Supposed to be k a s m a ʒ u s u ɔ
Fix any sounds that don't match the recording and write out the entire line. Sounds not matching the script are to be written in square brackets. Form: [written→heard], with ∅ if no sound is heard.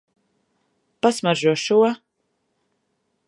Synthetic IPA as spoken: [k→p] a s m a ʒ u [s→ʃ] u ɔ